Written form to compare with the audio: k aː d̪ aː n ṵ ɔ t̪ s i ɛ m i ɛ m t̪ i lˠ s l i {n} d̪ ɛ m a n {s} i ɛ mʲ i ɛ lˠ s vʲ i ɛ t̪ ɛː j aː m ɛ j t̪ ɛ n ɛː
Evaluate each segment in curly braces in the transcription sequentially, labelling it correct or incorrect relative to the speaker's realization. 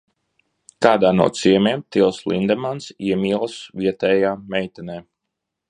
correct, correct

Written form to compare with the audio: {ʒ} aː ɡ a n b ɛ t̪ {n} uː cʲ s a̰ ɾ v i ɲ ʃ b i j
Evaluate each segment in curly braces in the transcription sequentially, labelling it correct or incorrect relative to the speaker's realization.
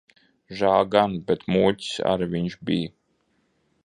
correct, incorrect: m

